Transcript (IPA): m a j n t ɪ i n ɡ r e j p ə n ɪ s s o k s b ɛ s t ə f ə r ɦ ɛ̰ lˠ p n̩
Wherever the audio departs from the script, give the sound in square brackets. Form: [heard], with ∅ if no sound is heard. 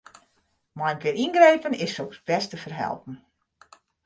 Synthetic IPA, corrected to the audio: m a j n [k] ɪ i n ɡ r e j p ə n ɪ s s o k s b ɛ s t ə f ə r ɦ ɛ̰ lˠ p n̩